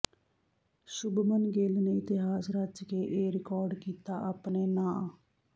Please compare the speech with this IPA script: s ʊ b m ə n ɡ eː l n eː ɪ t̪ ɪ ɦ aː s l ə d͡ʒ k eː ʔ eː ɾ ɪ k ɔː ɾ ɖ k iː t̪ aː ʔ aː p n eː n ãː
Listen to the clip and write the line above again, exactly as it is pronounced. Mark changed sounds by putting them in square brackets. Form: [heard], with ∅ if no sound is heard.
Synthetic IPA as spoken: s ʊ b m ə n ɡ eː l n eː ɪ t̪ ɪ ɦ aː s [ɾ] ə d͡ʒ k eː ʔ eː ɾ ɪ k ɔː ɾ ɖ k iː t̪ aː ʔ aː p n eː n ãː

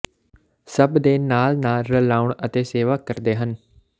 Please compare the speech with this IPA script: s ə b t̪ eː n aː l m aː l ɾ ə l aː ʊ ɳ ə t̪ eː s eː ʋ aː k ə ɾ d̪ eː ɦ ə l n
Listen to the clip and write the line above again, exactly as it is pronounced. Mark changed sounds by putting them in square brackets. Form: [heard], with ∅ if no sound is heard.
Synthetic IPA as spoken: s ə b [d̪] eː n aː l [n] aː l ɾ ə l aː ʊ ɳ ə t̪ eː s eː ʋ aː k ə ɾ d̪ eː ɦ ə [∅] n

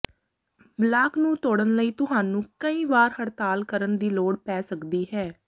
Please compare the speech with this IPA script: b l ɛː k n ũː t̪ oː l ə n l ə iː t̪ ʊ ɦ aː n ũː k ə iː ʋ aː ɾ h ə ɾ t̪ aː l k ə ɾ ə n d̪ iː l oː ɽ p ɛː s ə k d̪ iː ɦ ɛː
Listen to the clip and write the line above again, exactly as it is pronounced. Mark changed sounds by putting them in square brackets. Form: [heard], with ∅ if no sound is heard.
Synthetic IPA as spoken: b l [aː] k n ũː t̪ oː [ɽ] ə n l ə iː t̪ ʊ ɦ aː n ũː k ə iː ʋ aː ɾ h ə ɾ t̪ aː l k ə ɾ ə n d̪ iː l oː ɽ p ɛː s ə k d̪ iː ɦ ɛː

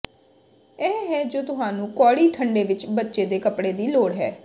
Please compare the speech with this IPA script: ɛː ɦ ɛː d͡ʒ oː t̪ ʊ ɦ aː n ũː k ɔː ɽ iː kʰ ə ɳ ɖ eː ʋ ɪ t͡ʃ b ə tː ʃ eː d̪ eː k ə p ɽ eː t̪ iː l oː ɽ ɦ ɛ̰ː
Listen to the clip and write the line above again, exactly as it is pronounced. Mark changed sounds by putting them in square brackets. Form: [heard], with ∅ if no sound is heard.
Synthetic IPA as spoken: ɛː ɦ ɛː d͡ʒ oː t̪ ʊ ɦ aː n ũː k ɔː ɽ iː [ʈʰ] ə ɳ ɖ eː ʋ ɪ t͡ʃ b ə tː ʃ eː d̪ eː k ə p ɽ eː [d̪] iː l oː ɽ ɦ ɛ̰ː

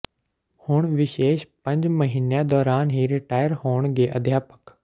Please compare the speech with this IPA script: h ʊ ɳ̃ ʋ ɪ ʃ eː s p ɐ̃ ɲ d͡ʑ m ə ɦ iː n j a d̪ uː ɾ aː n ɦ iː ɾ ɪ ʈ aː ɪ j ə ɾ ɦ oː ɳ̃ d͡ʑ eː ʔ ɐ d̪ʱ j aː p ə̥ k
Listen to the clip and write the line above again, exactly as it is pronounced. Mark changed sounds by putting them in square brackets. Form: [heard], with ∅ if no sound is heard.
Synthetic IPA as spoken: h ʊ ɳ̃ ʋ ɪ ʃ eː [ʃ] p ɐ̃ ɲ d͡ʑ m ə ɦ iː n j a d̪ [ɔː] ɾ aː n ɦ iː ɾ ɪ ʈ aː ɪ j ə ɾ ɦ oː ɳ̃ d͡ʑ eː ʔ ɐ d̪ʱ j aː p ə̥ k

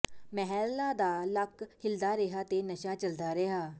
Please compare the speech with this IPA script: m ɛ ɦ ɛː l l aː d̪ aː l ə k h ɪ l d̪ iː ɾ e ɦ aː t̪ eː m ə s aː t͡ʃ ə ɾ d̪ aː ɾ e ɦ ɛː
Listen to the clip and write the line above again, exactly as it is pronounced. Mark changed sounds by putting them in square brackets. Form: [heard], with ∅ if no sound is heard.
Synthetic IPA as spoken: m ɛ ɦ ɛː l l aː d̪ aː l ə k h ɪ l d̪ [aː] ɾ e ɦ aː t̪ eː [n] ə [ʃ] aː t͡ʃ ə [l] d̪ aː ɾ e ɦ [aː]

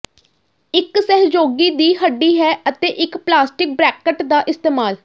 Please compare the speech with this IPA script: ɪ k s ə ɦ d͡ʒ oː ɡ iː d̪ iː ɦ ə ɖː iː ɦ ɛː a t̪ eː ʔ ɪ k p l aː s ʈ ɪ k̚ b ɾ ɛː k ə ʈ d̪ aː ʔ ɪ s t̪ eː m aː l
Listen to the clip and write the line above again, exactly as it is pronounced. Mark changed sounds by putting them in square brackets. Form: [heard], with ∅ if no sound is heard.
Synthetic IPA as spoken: ɪ k s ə ɦ d͡ʒ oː ɡ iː d̪ iː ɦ ə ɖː iː ɦ ɛː [ə] t̪ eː ʔ ɪ k p l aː s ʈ ɪ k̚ b ɾ ɛː k ə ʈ d̪ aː ʔ ɪ s t̪ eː m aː l

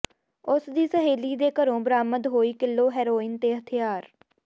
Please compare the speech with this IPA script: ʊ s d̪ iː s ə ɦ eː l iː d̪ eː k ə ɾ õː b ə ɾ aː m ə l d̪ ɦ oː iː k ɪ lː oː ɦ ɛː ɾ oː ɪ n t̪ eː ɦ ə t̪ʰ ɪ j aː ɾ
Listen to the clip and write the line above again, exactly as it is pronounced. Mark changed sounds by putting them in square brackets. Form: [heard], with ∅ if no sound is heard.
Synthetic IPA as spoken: ʊ s d̪ iː s ə ɦ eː l iː d̪ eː k ə ɾ õː b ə ɾ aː m ə [∅] d̪ ɦ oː iː k ɪ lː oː ɦ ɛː ɾ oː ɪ n t̪ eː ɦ ə t̪ʰ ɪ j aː ɾ

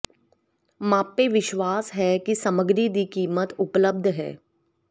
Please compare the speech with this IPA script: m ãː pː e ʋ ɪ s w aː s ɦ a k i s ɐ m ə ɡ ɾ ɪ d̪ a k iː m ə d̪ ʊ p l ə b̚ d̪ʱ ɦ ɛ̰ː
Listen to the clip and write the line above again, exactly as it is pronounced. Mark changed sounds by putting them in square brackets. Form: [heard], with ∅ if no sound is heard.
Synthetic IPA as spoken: m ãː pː e ʋ ɪ [ʃ] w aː s ɦ [ɛ] k i s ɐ m ə ɡ ɾ [i] d̪ [i] k iː m ə [t̪] ʊ p l ə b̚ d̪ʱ ɦ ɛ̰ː

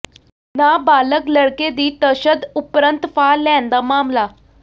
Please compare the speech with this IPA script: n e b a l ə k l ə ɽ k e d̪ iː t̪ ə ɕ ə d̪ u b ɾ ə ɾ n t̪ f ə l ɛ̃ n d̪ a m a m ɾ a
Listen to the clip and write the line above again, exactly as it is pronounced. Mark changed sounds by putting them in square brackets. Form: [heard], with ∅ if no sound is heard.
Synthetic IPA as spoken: n [a] b a l ə k l ə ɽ k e d̪ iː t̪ ə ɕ ə d̪ u [p] ɾ ə [∅] n t̪ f [a] l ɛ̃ n d̪ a m a m [l] a

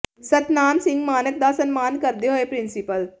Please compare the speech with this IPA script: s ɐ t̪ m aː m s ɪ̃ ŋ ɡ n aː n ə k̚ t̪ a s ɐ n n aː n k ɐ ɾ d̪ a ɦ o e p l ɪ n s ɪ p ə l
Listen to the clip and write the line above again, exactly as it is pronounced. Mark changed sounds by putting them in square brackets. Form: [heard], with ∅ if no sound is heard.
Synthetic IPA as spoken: s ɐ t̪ [n] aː [n] s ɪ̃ ŋ ɡ [m] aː n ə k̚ [d̪] a s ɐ n [m] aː n k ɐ ɾ d̪ [e] ɦ o e p [ɾ] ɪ n s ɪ p ə l

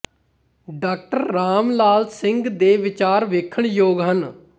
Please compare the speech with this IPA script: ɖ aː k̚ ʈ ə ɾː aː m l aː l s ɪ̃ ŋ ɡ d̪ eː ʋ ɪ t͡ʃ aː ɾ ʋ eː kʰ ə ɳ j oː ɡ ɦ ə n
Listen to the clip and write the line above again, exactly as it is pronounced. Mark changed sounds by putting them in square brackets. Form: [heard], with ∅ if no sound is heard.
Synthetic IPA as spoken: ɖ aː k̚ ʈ ə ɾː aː m l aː l s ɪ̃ ŋ ɡ d̪ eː ʋ ɪ t͡ʃ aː ɾ ʋ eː kʰ ə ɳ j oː ɡ ɦ ə n

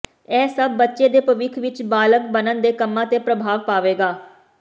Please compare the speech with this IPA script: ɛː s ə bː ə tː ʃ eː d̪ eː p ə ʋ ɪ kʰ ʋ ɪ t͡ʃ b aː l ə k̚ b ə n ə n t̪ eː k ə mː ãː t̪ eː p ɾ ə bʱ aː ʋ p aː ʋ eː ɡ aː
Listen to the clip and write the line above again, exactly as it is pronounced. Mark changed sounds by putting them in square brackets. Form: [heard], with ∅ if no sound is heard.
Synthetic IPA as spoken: ɛː s ə bː ə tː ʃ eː d̪ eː p ə ʋ ɪ kʰ ʋ ɪ t͡ʃ b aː l ə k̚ b ə n ə n [d̪] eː k ə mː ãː t̪ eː p ɾ ə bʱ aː ʋ p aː ʋ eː ɡ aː

